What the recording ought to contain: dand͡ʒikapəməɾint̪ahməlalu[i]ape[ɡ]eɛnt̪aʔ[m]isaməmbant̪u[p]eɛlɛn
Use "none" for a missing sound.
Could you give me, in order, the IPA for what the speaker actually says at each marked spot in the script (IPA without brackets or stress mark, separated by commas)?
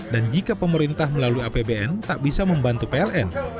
i, b, b, p